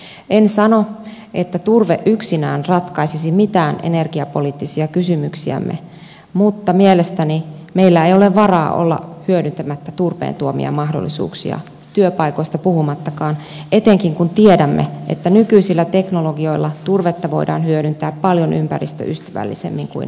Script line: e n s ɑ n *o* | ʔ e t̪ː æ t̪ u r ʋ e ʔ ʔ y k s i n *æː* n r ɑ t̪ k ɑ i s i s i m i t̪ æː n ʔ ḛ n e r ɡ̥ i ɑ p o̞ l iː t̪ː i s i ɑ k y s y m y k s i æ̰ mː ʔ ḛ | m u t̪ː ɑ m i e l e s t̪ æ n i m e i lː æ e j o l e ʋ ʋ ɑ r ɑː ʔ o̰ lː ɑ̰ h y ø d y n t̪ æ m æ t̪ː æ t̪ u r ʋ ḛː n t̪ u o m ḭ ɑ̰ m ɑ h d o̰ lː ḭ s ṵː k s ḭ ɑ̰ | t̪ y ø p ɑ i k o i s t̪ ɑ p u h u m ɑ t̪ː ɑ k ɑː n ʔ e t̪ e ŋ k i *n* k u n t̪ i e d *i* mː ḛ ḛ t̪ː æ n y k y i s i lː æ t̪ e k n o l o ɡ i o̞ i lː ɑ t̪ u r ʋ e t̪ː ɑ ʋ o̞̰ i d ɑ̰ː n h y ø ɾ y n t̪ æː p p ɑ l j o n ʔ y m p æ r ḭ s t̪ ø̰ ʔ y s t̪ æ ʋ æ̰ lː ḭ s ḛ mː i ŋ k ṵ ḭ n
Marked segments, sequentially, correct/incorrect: correct, correct, incorrect, incorrect

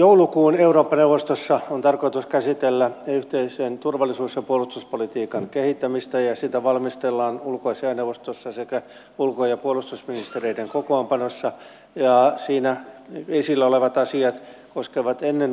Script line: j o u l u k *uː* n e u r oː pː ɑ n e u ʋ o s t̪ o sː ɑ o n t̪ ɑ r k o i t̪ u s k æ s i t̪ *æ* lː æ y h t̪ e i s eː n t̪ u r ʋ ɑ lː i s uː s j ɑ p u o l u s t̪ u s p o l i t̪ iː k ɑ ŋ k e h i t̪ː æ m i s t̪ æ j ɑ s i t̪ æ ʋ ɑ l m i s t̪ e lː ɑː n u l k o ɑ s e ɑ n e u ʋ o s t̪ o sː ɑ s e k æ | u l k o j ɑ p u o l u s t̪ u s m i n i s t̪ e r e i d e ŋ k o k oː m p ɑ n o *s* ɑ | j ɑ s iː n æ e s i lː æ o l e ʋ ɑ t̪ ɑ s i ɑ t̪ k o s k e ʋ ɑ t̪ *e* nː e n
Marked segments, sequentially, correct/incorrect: correct, incorrect, incorrect, correct

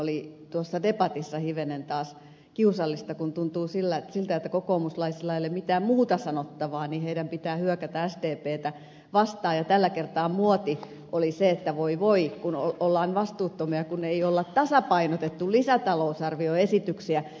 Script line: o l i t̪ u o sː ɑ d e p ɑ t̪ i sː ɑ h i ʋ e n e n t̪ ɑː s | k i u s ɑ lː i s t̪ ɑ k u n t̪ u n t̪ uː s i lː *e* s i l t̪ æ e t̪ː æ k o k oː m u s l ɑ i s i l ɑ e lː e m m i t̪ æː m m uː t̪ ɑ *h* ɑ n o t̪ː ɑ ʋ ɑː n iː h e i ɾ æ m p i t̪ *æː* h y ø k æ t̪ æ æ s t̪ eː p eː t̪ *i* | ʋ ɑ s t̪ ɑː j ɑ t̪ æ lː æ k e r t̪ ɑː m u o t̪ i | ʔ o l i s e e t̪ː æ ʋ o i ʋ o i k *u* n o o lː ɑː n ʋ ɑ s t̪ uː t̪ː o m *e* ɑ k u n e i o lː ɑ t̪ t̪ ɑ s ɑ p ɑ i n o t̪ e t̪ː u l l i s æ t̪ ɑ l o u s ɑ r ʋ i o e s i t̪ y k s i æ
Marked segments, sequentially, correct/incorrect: incorrect, incorrect, correct, incorrect, correct, incorrect

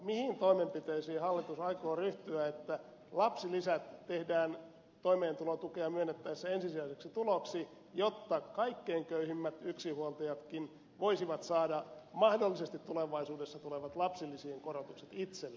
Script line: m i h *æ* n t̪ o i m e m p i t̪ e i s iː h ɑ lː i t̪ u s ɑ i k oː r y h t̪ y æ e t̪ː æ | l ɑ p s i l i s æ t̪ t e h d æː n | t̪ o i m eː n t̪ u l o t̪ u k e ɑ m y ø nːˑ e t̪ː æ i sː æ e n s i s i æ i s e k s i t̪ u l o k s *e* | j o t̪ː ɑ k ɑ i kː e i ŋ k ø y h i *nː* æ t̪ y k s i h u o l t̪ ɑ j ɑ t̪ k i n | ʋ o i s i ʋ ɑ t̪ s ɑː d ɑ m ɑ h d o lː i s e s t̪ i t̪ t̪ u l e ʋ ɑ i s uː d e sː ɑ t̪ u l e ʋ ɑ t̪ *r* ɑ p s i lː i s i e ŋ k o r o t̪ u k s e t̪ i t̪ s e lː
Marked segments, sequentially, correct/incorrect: incorrect, incorrect, incorrect, incorrect

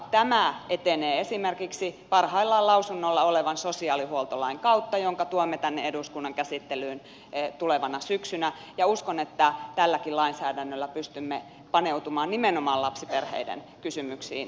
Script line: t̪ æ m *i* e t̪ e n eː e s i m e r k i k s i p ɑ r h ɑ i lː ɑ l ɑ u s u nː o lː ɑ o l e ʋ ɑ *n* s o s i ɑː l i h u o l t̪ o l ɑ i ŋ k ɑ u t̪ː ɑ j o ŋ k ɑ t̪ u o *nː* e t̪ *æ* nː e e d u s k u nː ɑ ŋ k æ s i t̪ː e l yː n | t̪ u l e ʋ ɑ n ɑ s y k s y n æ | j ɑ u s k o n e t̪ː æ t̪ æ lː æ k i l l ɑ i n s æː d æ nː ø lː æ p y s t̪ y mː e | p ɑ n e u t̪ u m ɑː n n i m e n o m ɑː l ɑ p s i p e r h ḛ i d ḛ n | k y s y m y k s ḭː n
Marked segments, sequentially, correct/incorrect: incorrect, correct, incorrect, correct

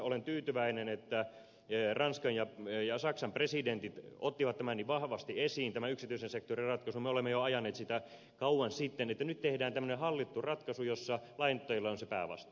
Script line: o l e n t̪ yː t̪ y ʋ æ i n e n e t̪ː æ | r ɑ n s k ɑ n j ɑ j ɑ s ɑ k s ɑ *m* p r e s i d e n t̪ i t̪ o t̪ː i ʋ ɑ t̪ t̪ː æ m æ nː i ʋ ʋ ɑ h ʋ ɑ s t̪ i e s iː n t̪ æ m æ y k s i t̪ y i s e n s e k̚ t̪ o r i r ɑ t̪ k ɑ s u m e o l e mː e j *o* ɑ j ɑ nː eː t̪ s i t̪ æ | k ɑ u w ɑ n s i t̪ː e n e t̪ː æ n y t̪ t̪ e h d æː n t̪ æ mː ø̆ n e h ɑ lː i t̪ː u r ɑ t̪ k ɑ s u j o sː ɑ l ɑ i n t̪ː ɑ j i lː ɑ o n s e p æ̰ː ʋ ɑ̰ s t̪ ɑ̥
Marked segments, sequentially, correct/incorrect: correct, correct

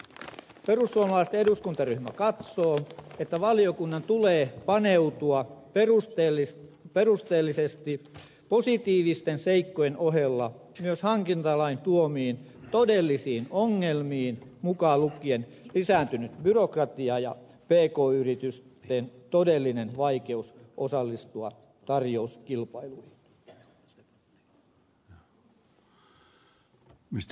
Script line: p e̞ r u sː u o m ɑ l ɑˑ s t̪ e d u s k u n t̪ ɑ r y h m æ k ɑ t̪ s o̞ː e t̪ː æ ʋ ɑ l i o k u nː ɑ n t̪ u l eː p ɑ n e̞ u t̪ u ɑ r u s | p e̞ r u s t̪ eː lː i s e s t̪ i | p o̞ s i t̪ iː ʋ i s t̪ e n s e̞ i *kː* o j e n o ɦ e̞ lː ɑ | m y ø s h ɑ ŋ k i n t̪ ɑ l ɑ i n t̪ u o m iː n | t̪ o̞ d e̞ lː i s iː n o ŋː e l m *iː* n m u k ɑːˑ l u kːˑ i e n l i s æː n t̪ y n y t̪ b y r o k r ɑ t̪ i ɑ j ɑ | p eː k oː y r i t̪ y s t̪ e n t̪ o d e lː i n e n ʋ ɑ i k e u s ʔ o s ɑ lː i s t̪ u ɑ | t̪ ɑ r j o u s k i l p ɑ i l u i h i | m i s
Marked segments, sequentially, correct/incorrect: correct, correct

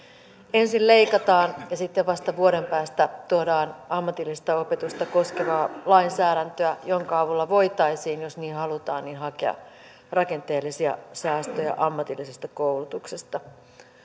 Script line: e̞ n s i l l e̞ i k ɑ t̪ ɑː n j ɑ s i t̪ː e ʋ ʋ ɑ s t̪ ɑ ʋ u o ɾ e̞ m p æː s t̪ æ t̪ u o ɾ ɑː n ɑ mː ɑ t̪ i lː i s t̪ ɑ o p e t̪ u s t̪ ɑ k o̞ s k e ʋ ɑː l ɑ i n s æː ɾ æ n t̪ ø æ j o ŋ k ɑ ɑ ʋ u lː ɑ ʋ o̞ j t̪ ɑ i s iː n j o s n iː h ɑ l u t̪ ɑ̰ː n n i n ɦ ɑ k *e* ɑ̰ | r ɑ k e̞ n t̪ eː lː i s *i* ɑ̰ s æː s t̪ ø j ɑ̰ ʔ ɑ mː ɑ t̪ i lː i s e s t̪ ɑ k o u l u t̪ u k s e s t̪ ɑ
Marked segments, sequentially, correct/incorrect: correct, correct

